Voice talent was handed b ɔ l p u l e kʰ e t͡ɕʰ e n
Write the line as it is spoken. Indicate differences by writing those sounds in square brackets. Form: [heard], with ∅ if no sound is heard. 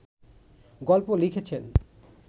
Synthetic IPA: [ɡ] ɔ l p [o] l [i] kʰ e t͡ɕʰ e n